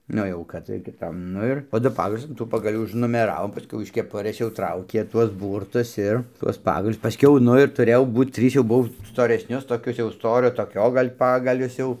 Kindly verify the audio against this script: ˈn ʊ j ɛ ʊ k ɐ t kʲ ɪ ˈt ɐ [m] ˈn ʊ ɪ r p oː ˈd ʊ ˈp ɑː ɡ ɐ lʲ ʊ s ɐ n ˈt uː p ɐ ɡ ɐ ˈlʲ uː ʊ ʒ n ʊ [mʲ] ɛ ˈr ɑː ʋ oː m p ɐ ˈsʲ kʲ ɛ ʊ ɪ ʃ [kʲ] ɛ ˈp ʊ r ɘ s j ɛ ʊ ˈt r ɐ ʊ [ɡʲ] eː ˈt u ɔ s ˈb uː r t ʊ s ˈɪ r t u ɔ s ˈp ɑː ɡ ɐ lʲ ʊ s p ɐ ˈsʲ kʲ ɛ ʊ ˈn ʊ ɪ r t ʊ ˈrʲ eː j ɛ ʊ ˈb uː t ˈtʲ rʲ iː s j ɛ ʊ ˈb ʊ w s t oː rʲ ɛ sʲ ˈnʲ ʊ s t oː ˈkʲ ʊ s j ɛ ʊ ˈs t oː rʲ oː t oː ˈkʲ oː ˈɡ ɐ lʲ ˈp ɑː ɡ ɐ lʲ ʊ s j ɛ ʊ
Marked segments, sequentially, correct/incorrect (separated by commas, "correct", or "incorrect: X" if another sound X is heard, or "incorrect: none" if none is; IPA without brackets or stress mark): correct, correct, correct, incorrect: kʲ